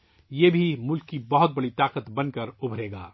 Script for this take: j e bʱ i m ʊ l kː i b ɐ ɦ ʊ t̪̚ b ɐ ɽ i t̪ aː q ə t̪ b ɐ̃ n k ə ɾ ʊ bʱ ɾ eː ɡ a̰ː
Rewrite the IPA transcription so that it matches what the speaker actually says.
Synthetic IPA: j e bʱ i m ʊ l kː i b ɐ ɦ ʊ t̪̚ b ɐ ɽ i t̪ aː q ə t̪ b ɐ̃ n k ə ɾ ʊ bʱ ɾ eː ɡ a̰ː